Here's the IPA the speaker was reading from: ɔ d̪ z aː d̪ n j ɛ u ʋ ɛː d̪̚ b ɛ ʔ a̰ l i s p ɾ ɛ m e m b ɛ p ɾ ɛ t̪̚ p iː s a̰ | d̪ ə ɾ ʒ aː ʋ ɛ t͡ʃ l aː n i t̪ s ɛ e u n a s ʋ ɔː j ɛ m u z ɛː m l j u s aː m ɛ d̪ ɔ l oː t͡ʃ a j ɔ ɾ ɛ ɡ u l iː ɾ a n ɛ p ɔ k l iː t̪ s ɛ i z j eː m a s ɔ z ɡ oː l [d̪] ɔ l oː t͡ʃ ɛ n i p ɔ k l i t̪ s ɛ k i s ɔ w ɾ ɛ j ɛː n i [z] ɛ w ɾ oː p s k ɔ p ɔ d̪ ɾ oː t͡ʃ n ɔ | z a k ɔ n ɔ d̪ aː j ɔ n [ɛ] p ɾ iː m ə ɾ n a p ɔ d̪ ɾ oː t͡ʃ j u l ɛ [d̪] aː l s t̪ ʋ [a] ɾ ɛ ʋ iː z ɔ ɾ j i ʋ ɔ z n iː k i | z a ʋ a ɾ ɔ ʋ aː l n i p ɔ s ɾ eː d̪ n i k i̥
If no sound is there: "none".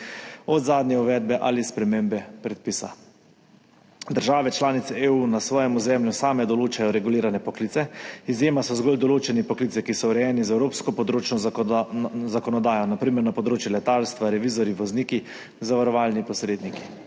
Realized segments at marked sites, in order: d̪, z, a, t̪, a

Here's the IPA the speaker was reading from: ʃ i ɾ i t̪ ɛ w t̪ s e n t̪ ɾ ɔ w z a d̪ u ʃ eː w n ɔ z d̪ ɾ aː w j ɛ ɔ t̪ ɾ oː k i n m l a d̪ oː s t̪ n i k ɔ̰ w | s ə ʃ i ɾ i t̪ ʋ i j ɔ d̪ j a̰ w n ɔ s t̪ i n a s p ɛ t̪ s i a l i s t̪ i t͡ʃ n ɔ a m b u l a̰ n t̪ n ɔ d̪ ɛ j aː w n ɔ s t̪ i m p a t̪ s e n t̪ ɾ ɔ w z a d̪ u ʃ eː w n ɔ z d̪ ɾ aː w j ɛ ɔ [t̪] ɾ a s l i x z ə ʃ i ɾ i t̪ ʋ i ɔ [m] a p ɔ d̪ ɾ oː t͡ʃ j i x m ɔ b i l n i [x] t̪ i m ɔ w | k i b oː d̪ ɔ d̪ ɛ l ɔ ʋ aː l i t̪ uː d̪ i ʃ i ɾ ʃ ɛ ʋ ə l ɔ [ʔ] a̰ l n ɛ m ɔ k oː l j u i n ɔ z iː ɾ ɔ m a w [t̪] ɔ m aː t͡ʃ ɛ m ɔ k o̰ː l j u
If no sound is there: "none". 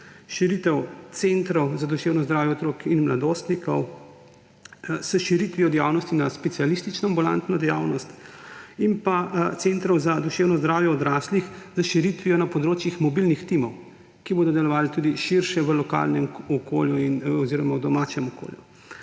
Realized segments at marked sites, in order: d̪, n, x, k, d̪

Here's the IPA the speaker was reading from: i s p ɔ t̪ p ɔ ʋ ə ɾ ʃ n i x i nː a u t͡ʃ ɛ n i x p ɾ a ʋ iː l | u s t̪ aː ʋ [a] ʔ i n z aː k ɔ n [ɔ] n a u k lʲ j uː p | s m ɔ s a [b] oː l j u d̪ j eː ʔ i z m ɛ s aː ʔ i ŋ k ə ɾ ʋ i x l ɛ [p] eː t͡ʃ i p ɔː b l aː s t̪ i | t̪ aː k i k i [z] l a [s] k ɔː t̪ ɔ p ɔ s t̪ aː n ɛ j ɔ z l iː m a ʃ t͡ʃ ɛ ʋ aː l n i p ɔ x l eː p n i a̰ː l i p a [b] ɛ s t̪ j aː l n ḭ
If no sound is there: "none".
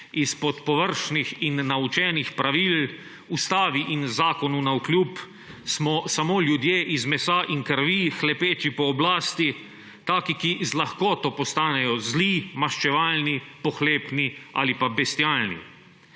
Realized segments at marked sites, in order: i, u, m, p, z, x, b

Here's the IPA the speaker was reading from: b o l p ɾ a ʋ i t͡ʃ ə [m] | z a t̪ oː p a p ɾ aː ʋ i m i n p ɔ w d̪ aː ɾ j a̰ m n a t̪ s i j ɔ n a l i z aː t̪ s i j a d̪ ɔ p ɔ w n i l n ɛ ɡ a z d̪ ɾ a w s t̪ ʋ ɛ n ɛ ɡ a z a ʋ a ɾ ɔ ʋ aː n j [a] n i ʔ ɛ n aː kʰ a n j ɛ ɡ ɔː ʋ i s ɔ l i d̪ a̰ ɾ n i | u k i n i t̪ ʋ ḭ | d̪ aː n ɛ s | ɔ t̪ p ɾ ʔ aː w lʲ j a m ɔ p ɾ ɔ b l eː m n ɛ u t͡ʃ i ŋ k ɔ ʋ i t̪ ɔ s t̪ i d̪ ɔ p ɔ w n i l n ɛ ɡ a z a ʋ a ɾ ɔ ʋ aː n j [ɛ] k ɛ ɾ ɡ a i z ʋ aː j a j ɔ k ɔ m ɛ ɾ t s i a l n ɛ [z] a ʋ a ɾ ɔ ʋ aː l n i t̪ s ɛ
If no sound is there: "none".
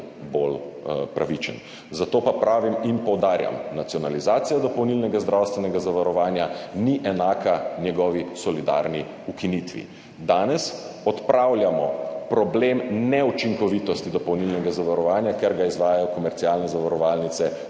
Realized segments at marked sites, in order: n, a, a, z

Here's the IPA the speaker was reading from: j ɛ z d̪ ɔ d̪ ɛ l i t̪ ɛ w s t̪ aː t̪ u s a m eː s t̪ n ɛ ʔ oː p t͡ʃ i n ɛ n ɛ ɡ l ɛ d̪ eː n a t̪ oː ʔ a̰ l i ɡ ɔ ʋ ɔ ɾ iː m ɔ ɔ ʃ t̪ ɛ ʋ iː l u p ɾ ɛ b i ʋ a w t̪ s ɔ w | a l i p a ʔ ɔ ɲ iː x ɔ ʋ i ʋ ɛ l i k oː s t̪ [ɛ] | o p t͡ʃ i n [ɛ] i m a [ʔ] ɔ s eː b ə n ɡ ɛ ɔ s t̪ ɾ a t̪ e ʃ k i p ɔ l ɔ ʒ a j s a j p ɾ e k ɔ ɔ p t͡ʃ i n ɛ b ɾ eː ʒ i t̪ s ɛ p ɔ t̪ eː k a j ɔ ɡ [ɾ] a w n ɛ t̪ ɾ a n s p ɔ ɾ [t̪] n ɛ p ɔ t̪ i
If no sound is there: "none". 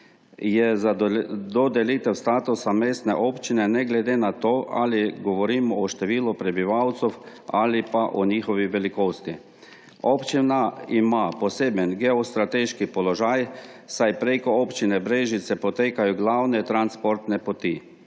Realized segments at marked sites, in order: i, a, p, l, t̪

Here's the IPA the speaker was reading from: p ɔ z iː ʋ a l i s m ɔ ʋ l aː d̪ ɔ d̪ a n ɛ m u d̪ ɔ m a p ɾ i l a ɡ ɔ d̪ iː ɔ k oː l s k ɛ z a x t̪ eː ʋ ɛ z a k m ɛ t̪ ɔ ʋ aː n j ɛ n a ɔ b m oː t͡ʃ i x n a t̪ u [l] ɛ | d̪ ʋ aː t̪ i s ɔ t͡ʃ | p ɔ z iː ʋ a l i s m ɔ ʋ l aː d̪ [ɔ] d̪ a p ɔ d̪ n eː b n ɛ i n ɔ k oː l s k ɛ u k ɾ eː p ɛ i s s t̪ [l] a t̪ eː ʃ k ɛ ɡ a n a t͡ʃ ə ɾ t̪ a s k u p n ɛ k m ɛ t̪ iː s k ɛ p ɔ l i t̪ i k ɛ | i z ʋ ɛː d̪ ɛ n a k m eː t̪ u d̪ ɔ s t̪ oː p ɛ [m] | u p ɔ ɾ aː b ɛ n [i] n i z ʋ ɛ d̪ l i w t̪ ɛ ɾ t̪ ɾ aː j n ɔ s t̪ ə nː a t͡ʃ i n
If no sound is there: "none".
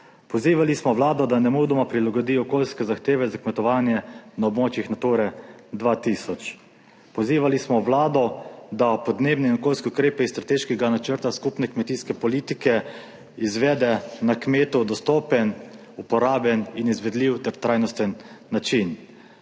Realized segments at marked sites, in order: ɾ, ɔ, ɾ, n, i

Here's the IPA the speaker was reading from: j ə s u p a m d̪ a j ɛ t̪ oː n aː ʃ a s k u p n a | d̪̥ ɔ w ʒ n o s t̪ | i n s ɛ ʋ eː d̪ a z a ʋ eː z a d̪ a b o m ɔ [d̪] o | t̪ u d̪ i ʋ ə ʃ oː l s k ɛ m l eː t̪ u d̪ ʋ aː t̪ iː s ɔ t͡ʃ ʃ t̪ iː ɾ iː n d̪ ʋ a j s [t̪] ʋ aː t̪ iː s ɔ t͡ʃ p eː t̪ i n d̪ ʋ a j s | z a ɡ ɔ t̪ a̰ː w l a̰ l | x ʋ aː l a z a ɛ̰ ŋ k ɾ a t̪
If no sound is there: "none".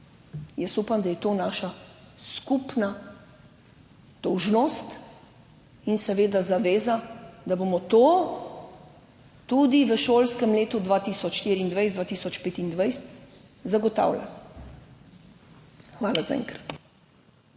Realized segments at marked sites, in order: t̪, d̪

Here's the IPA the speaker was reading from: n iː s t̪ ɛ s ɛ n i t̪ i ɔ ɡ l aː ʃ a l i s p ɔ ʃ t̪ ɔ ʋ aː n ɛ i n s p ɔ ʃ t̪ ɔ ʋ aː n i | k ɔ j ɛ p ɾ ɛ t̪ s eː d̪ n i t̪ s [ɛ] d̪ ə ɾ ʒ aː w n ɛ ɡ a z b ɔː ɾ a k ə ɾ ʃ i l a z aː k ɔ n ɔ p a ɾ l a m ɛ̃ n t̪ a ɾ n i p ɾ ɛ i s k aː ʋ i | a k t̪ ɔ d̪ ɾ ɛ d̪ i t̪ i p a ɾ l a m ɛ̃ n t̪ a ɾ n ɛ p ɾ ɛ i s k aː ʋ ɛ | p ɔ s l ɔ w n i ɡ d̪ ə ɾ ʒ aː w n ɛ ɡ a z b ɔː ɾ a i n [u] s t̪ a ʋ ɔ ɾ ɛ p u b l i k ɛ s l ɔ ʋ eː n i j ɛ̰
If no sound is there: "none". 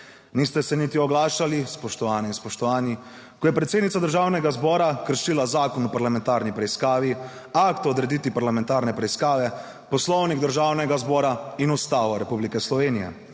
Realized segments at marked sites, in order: a, u

